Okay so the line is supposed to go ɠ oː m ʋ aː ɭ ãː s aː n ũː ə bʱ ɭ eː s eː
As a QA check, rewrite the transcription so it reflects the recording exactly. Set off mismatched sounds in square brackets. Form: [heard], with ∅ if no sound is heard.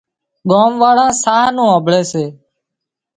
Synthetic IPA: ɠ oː m ʋ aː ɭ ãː s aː n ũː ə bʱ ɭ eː s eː